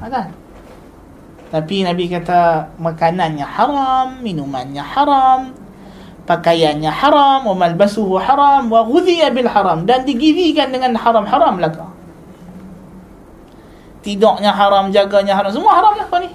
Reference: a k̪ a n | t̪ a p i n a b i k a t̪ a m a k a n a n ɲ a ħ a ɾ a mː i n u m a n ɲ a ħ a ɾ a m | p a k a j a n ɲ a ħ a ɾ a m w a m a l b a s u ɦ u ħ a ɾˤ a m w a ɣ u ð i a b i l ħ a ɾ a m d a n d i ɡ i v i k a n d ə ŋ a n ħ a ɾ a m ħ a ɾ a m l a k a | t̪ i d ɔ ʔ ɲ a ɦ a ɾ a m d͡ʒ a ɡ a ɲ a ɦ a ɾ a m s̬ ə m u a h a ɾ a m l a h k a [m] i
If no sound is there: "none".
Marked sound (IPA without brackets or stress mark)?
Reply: n